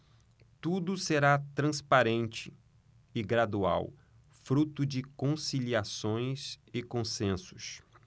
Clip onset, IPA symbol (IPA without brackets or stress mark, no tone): t̪